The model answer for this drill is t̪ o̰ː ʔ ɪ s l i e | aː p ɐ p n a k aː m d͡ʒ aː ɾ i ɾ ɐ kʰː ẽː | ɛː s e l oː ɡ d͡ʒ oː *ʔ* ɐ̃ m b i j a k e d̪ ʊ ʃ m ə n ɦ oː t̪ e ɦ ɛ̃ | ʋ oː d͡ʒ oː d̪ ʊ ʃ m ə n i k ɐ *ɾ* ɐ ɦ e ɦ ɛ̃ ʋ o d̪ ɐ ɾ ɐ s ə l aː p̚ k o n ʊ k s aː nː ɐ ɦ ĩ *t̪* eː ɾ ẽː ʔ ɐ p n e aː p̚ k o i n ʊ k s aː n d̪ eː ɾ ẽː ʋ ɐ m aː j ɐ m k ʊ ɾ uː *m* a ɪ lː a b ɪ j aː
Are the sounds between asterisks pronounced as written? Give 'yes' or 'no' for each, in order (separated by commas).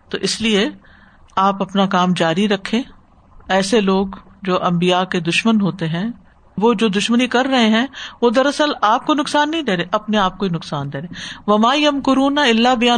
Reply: yes, no, no, no